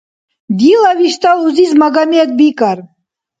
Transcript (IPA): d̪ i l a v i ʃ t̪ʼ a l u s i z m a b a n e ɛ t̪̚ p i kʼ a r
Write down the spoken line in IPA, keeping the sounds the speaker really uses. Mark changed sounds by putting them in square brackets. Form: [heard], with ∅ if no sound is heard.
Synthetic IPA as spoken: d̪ i l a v i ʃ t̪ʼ a l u [z] i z m a [ɡ] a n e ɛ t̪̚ [b] i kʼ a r